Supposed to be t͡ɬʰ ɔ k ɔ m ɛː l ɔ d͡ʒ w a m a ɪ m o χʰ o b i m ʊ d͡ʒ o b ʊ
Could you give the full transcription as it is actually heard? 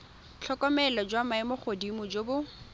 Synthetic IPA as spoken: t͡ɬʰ ɔ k ɔ m ɛ l ɔ d͡ʒ w a m a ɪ m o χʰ o d i m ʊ d͡ʒ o b ʊ